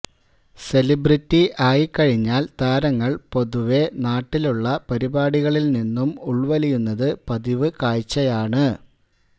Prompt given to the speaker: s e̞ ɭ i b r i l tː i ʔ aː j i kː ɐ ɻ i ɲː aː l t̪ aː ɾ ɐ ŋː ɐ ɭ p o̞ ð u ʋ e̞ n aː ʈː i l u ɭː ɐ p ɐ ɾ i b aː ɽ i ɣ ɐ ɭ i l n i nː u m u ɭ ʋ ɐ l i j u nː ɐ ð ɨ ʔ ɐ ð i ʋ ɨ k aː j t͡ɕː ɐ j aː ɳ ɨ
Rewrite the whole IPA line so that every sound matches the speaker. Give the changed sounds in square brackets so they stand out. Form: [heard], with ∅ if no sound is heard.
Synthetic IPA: s e̞ [l] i b r i [∅] tː i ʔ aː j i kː ɐ ɻ i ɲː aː l t̪ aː ɾ ɐ ŋː ɐ ɭ p o̞ ð u ʋ e̞ n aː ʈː i l u ɭː ɐ p ɐ ɾ i b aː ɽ i ɣ ɐ ɭ i l n i nː u m u ɭ ʋ ɐ l i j u nː ɐ ð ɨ [p] ɐ ð i ʋ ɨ k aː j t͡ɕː ɐ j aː ɳ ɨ